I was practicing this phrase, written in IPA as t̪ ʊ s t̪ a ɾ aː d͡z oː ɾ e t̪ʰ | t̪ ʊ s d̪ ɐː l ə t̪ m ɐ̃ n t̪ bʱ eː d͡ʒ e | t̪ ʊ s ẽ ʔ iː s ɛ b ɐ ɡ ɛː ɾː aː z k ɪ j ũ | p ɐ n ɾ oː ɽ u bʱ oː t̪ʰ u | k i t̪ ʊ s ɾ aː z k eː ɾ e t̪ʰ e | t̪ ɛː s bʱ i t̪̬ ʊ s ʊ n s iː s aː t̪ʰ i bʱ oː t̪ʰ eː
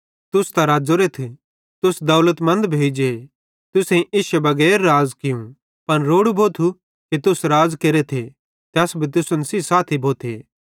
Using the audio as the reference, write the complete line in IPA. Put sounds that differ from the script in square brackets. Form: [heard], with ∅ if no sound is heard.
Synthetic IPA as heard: t̪ ʊ s t̪ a ɾ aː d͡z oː ɾ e t̪ʰ | t̪ ʊ s d̪ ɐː l ə t̪ m ɐ̃ n [d̪] bʱ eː d͡ʒ e | t̪ ʊ s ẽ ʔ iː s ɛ b ɐ ɡ ɛː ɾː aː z k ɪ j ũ | p ɐ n ɾ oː ɽ u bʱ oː t̪ʰ u | k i t̪ ʊ s ɾ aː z k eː ɾ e t̪ʰ e | t̪ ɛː s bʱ i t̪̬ ʊ s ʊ n s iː s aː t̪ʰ i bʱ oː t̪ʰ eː

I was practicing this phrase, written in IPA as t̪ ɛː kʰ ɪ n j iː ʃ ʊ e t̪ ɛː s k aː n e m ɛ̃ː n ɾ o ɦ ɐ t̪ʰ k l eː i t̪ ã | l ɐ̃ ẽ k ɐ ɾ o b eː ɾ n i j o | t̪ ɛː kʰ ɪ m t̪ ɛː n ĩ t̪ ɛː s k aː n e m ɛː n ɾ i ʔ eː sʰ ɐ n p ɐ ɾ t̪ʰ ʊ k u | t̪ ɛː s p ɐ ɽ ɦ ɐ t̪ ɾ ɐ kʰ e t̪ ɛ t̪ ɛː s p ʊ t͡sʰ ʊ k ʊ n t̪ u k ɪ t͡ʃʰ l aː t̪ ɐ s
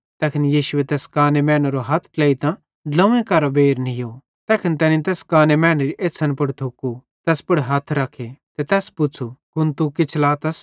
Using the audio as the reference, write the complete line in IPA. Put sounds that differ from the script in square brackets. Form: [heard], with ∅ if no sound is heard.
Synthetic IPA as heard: t̪ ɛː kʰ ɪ n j iː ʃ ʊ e t̪ ɛː s k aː n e m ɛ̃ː n ɾ o ɦ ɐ t̪ʰ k l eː i t̪ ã | l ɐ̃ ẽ k ɐ ɾ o b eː ɾ n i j o | t̪ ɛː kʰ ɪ [n] t̪ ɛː n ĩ t̪ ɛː s k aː n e m ɛː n ɾ i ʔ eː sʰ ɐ n p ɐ [ɽ] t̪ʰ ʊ k u | t̪ ɛː s p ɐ ɽ ɦ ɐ [t̪ʰ] ɾ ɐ kʰ e t̪ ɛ t̪ ɛː s p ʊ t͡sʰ [u] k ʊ n t̪ u k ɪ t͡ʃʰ l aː t̪ ɐ s

